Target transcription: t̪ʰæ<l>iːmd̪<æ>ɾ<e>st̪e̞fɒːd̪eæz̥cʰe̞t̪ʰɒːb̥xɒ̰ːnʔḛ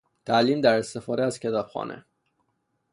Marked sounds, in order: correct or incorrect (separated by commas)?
correct, correct, correct